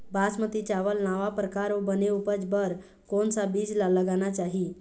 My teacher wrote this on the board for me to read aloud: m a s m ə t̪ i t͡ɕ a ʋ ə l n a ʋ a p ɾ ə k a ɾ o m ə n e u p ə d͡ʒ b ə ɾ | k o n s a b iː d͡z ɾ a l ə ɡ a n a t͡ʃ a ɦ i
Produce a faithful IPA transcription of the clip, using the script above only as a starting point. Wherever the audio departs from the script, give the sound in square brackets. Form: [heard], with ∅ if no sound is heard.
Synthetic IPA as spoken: [b] a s m ə t̪ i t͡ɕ a ʋ ə l n a ʋ a p ɾ ə k a ɾ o [b] ə n e u p ə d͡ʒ b ə ɾ | k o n s a b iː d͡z [l] a l ə ɡ a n a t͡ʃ a ɦ i